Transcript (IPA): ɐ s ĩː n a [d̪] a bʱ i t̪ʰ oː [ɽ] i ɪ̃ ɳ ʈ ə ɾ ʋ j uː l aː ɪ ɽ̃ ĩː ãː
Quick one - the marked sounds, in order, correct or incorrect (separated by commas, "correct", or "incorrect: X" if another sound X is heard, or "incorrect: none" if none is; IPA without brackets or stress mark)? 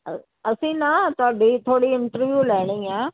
incorrect: t̪, correct